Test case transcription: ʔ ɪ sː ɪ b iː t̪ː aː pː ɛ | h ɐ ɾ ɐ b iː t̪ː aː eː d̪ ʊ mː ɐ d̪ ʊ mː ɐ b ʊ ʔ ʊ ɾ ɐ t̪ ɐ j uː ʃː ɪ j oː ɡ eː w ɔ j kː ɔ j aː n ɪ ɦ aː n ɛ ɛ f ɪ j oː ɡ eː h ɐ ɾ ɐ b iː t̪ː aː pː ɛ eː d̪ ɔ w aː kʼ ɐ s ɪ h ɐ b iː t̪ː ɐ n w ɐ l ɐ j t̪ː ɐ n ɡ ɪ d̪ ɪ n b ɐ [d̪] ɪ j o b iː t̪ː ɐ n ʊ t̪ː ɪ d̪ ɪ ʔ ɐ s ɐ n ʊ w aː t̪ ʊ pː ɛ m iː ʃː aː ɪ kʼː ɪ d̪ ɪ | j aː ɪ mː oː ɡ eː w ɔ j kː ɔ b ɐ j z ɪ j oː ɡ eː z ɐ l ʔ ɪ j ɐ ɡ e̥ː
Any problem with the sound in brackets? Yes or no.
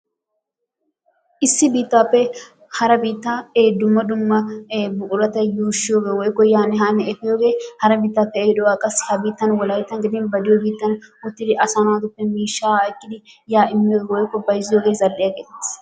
no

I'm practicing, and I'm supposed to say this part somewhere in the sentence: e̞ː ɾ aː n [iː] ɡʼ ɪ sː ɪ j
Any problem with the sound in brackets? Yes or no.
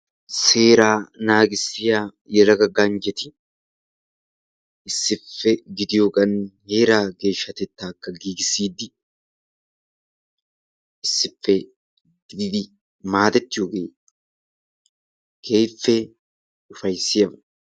yes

